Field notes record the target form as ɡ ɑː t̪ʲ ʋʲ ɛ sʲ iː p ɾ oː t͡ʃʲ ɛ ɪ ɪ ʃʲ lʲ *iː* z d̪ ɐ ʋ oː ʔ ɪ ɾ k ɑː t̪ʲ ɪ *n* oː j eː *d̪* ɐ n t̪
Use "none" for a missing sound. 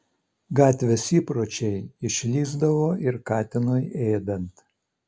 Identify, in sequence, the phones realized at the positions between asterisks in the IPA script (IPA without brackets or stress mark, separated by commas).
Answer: iː, n, d̪